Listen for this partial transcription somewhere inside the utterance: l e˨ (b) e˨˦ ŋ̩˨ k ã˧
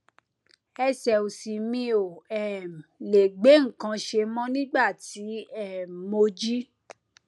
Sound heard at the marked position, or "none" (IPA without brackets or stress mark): ɡ͡b